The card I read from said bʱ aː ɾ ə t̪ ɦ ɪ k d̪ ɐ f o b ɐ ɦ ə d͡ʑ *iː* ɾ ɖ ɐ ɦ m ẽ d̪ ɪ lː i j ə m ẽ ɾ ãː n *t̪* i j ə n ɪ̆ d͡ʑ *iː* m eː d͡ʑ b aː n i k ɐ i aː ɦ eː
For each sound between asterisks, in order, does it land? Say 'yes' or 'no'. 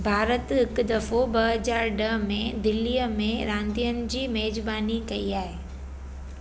no, no, yes

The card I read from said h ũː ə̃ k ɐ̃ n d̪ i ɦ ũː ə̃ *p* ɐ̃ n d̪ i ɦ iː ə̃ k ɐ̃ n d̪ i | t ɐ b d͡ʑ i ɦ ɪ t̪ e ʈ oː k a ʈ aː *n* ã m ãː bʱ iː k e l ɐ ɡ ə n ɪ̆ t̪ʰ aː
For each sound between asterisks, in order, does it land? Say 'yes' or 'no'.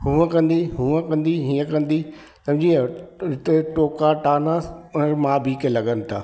no, yes

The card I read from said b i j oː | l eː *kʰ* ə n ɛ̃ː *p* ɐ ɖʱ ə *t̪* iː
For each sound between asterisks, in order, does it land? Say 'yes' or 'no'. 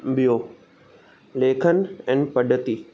yes, yes, yes

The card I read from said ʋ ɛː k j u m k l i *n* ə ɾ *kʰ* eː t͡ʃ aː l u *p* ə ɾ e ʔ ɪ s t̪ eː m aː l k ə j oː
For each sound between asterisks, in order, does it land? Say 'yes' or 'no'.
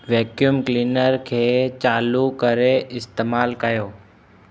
yes, yes, no

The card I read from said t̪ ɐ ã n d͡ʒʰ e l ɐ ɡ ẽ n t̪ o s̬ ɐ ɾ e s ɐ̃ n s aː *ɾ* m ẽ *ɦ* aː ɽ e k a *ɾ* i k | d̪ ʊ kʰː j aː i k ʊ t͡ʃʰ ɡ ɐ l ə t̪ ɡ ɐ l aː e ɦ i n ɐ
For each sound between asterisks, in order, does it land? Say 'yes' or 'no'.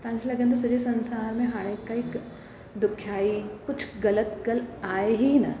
yes, yes, no

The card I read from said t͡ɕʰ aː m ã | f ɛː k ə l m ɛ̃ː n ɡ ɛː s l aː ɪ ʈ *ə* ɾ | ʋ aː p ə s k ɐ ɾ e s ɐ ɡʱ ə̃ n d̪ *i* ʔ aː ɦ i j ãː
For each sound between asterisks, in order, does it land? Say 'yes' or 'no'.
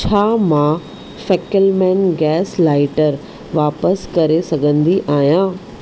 yes, yes

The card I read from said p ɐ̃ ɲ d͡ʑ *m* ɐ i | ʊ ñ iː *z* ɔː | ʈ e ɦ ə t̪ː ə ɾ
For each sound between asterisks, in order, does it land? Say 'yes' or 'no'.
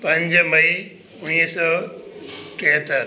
yes, no

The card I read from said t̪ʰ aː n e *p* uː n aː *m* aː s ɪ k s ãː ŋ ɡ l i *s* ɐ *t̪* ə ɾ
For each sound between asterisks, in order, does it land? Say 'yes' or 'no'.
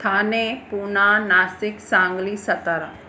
yes, no, yes, yes

